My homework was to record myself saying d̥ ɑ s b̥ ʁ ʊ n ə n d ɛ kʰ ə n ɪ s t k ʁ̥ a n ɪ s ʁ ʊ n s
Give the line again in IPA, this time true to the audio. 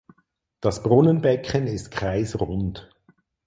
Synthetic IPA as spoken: d̥ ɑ s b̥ ʁ ʊ n ə n b ɛ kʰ ə n ɪ s t k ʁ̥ a ɪ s ʁ ʊ n t

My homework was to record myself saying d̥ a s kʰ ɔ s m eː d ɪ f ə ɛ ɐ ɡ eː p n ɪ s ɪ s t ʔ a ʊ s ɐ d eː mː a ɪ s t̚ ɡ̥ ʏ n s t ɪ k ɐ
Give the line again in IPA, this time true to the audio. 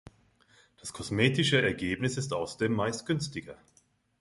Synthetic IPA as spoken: d̥ a s kʰ ɔ s m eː t ɪ ʃ ə ɛ ɐ ɡ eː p n ɪ s ɪ s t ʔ a ʊ s ɐ d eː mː a ɪ s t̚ ɡ̥ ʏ n s t ɪ ɡ ɐ

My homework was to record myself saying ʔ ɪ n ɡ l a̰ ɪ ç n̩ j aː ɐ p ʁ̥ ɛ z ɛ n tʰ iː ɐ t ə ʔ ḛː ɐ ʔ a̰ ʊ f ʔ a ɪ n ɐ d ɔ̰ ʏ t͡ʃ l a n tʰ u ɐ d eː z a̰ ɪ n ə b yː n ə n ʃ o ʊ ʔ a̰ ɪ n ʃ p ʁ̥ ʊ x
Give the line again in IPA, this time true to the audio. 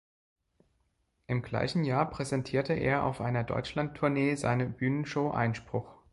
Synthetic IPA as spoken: ʔ ɪ m ɡ l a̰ ɪ ç n̩ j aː ɐ p ʁ̥ ɛ z ɛ n tʰ iː ɐ t ə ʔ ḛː ɐ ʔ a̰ ʊ f ʔ a ɪ n ɐ d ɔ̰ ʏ t͡ʃ l a n tʰ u ɐ n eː z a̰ ɪ n ə b yː n ə n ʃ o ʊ ʔ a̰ ɪ n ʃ p ʁ̥ ʊ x

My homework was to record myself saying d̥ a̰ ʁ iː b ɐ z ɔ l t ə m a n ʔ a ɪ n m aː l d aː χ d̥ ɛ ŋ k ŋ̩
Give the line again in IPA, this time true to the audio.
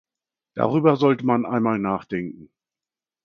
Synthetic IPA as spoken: d̥ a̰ ʁ yː b ɐ z ɔ l t ə m a n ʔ a ɪ n m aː l n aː χ d̥ ɛ ŋ k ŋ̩

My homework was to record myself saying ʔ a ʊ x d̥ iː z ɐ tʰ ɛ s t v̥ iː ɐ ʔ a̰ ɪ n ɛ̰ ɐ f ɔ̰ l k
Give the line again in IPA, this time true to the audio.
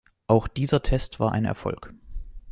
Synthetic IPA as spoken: ʔ a ʊ x d̥ iː z ɐ tʰ ɛ s t v̥ aː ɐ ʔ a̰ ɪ n ɛ̰ ɐ f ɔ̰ l k

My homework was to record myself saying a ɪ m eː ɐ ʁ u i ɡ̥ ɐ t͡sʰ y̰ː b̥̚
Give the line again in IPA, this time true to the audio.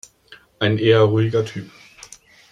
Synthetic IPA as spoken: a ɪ n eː ɐ ʁ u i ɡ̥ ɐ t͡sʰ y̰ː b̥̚

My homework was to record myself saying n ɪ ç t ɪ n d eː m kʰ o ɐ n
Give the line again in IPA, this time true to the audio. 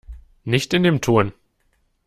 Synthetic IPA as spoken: n ɪ ç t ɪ n d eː m tʰ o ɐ n

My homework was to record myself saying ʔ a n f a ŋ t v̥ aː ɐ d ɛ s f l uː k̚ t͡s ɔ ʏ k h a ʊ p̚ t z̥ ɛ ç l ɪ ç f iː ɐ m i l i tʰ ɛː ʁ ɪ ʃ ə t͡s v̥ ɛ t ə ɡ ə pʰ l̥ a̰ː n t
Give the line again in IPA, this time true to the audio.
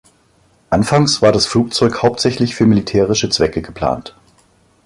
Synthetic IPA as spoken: ʔ a n f a ŋ s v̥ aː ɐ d a s f l uː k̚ t͡s ɔ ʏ k h a ʊ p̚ t z̥ ɛ ç l ɪ ç f yː ɐ m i l i tʰ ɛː ʁ ɪ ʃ ə t͡s v̥ ɛ k ə ɡ ə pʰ l̥ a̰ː n t

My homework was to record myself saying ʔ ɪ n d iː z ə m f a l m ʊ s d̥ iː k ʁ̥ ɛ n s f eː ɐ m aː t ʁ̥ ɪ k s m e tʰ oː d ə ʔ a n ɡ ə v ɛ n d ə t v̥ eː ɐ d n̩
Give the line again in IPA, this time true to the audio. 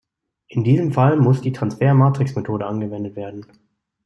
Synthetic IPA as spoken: ʔ ɪ n d iː z ə m f a l m ʊ s d̥ iː t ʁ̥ a n s f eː ɐ m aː t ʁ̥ ɪ k s m e tʰ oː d ə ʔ a n ɡ ə v ɛ n d ə t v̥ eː ɐ d n̩

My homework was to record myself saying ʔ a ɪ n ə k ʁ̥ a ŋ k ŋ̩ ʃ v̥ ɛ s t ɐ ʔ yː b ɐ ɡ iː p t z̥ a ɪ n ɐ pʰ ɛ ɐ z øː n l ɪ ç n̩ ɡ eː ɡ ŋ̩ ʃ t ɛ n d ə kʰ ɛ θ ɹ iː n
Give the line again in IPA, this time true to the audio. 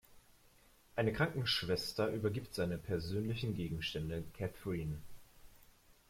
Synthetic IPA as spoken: ʔ a ɪ n ə k ʁ̥ a ŋ k ŋ̩ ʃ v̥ ɛ s t ɐ ʔ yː b ɐ ɡ iː p t z̥ a ɪ n ə pʰ ɛ ɐ z øː n l ɪ ç n̩ ɡ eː ɡ ŋ̩ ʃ t ɛ n d ə kʰ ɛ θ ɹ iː n

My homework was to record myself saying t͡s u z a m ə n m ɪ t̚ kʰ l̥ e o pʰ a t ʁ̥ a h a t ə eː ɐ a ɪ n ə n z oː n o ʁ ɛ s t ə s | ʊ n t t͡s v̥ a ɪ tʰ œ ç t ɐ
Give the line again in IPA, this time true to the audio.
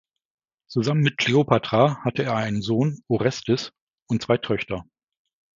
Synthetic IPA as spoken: t͡s u z a m ə n m ɪ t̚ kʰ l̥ e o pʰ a t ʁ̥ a h a t ə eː ɐ a ɪ n ə n z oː n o ʁ ɛ s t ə s | ʊ n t t͡s v̥ a ɪ tʰ œ ç t ɐ

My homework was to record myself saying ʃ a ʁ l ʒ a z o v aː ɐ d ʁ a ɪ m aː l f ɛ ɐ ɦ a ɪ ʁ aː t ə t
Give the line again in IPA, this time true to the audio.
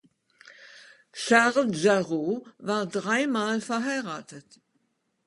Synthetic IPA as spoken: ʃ a ʁ l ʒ a ʁ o v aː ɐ d ʁ a ɪ m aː l f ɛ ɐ ɦ a ɪ ʁ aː t ə t

